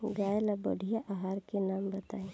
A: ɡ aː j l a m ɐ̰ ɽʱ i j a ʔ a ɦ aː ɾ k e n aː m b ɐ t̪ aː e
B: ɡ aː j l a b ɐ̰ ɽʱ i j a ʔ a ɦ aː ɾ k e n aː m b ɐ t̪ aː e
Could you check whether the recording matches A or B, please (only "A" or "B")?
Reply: B